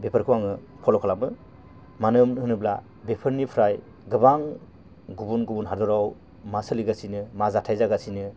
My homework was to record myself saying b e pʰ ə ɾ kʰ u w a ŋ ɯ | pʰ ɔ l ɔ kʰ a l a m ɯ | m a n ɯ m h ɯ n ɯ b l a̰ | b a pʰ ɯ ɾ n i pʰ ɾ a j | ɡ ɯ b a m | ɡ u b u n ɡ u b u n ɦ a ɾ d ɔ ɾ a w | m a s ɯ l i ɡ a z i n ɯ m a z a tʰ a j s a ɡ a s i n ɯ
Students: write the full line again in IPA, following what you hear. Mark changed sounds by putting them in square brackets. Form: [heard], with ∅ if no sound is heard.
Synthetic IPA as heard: b e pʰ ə ɾ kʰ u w a ŋ ɯ | pʰ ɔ l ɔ kʰ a l a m ɯ | m a n ɯ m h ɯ n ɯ b l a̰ | b [e] pʰ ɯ ɾ n i pʰ ɾ a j | ɡ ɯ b a [ŋ] | ɡ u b u n ɡ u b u n ɦ a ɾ d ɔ ɾ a w | m a s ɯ l i ɡ a [s] i n ɯ m a z a tʰ a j [z] a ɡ a s i n ɯ